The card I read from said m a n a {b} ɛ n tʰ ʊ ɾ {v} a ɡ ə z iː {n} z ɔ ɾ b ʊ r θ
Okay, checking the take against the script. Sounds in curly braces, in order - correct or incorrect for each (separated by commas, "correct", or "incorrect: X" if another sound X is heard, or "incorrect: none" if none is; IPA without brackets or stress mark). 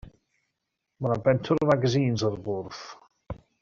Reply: correct, correct, correct